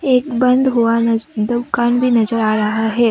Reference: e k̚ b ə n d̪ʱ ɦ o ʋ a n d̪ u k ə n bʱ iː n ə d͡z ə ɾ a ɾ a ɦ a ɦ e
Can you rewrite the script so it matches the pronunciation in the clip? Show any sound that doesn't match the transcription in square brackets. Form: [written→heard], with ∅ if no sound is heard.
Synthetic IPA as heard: e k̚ b ə n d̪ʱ ɦ o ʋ a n d̪ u k [ə→a] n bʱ iː n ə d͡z ə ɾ a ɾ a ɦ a ɦ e